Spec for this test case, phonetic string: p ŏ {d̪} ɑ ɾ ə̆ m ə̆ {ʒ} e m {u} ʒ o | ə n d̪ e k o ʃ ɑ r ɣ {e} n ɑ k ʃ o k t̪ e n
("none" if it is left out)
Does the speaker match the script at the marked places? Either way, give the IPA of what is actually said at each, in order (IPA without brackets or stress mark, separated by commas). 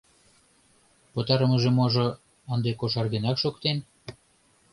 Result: t̪, ʒ, o, e